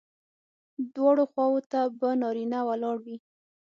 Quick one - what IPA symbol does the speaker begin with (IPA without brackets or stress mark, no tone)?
d̪